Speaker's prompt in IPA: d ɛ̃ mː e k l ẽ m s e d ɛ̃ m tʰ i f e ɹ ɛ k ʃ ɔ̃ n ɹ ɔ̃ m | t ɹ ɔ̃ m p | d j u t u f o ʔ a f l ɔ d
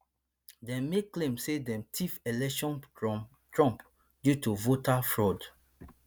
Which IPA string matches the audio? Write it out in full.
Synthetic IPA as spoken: d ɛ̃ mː e k l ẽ m s e d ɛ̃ m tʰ i f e l ɛ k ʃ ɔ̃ n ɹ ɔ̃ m | t ɹ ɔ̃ m p | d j u t u v o t a f ɹ ɔ d